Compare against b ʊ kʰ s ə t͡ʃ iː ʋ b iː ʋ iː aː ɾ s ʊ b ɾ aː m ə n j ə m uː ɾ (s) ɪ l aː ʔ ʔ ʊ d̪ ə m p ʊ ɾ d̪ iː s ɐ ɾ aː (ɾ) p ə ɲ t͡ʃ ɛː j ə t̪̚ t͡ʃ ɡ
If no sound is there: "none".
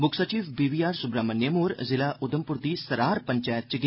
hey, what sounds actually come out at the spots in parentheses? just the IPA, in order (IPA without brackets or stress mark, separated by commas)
z, ɾ